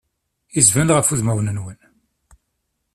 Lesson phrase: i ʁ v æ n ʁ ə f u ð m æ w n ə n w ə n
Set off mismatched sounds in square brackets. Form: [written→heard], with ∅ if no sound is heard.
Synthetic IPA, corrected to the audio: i [ʁ→z] v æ n ʁ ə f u ð m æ w n ə n w ə n